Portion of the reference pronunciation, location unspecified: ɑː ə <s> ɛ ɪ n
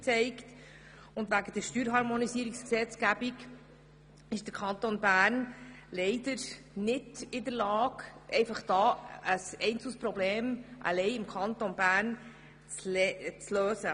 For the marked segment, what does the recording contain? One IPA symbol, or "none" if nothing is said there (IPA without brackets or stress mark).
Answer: s